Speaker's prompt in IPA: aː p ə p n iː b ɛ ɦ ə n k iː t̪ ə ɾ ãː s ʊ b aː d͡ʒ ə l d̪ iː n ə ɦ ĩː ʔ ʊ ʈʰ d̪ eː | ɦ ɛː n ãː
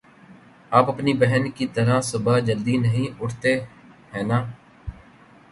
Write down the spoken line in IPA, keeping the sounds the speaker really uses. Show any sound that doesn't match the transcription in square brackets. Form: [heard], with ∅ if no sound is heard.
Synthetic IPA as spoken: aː p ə p n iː b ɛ ɦ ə n k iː t̪ ə ɾ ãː s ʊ b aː d͡ʒ ə l d̪ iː n ə ɦ ĩː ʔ ʊ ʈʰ [t̪] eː | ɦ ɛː n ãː